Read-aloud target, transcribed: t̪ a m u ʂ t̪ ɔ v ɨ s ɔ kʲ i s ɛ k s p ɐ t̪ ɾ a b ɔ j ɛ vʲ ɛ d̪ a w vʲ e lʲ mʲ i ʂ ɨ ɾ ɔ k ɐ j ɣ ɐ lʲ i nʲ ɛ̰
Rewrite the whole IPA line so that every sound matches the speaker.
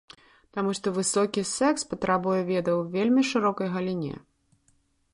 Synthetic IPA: t̪ a m u ʂ t̪ ɔ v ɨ s ɔ kʲ i s ɛ k s p ɐ t̪ ɾ a b u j ɛ vʲ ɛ d̪ ɐ w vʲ e lʲ mʲ i ʂ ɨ ɾ ɔ k ɐ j ɣ ɐ lʲ i nʲ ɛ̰